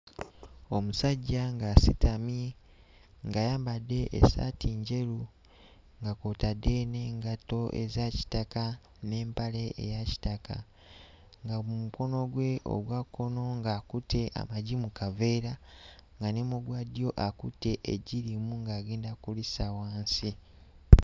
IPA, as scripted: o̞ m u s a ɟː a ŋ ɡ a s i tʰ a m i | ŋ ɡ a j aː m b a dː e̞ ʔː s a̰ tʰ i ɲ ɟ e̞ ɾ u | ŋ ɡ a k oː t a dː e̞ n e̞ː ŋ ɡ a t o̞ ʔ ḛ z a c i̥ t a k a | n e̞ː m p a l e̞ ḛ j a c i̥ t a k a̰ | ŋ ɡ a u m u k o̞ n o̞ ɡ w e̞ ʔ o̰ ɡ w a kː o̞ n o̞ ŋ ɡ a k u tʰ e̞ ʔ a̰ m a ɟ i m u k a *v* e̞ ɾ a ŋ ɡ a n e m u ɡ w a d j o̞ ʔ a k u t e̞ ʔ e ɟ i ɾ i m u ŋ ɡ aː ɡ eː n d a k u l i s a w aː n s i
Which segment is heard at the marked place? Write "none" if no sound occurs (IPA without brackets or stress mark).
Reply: v